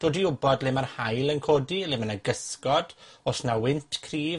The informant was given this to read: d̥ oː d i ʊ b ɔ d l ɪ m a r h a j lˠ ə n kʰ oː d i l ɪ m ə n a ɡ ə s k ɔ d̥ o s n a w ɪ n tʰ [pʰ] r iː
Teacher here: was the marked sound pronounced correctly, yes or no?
no